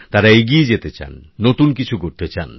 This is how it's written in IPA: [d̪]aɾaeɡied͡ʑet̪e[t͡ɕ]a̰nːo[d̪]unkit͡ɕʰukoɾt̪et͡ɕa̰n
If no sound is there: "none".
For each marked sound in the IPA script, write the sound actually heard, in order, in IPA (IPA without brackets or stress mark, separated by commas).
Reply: t̪, t͡ɕ, t̪